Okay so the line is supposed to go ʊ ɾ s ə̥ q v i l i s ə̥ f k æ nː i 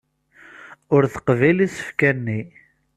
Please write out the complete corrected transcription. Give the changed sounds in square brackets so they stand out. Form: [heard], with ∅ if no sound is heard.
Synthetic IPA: ʊ ɾ [θ] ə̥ q v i l i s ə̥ f k æ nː i